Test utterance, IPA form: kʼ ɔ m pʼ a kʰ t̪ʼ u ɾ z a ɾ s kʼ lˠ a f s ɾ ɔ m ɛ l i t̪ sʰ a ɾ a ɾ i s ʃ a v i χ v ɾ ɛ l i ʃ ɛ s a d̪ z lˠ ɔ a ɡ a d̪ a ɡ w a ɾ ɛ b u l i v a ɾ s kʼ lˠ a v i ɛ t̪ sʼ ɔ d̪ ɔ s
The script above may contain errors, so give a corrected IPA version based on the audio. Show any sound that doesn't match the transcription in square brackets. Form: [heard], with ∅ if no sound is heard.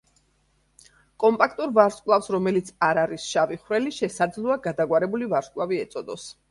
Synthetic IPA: kʼ ɔ m pʼ a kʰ t̪ʼ u ɾ [v] a ɾ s kʼ lˠ a f s ɾ ɔ m ɛ l i t̪ sʰ a ɾ a ɾ i s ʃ a v i χ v ɾ ɛ l i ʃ ɛ s a d̪ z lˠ ɔ a ɡ a d̪ a ɡ w a ɾ ɛ b u l i v a ɾ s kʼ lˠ a v i ɛ t̪ sʼ ɔ d̪ ɔ s